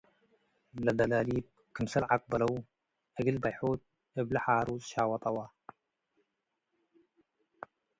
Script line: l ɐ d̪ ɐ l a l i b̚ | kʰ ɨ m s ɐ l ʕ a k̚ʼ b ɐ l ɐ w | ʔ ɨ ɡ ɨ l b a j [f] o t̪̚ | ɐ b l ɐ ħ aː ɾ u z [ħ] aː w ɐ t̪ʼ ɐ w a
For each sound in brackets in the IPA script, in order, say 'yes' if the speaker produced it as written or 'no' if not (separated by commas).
no, no